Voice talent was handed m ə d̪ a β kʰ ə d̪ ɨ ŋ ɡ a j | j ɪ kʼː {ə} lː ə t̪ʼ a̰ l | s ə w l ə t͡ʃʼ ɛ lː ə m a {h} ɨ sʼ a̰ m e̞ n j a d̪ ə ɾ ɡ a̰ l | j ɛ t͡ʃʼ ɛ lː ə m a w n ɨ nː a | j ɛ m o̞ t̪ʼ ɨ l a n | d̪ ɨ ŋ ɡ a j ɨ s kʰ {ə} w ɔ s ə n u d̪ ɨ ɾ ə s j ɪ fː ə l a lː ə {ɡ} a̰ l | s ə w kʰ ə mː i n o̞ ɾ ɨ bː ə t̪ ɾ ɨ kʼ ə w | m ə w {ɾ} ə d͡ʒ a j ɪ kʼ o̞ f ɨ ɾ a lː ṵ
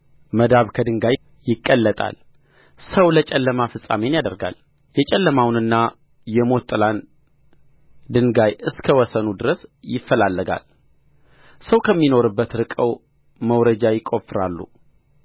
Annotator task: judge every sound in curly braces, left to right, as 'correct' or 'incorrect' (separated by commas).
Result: correct, incorrect, correct, correct, correct